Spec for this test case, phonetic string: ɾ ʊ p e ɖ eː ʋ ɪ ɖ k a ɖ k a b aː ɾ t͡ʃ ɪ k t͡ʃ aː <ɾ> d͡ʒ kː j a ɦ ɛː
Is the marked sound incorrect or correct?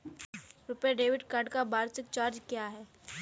correct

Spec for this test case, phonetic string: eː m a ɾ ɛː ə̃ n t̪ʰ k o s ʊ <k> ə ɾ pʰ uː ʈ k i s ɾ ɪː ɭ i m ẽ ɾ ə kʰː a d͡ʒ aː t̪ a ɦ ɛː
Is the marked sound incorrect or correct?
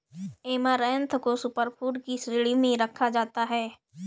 incorrect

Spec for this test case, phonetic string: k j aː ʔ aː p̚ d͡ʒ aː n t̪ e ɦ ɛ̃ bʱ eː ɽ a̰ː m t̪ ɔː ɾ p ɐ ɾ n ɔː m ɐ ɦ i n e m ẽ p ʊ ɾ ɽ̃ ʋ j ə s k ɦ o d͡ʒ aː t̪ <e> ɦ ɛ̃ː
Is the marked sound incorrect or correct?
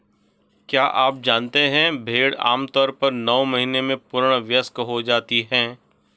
incorrect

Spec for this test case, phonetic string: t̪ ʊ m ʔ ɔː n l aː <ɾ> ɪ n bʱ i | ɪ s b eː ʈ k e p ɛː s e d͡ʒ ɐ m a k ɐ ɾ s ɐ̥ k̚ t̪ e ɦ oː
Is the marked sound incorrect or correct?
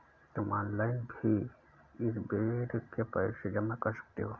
incorrect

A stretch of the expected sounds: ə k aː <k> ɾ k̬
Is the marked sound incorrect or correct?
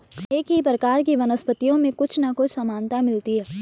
incorrect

